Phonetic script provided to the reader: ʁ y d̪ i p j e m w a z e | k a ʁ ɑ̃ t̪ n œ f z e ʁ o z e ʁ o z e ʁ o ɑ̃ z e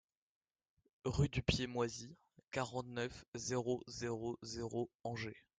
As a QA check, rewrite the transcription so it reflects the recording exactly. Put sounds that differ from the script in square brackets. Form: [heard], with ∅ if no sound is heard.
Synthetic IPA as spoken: ʁ y d̪ [y] p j e m w a z [i] | k a ʁ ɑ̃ t̪ n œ f z e ʁ o z e ʁ o z e ʁ o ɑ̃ [ʒ] e